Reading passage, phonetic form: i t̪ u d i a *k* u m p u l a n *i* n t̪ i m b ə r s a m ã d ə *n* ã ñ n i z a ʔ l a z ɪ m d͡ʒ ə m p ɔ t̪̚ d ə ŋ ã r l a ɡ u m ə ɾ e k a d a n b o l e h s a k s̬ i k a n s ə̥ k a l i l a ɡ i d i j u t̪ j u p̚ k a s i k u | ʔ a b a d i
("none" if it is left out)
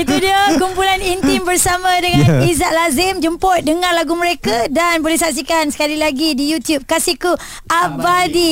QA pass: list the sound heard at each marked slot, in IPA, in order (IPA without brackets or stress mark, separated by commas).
k, i, ŋ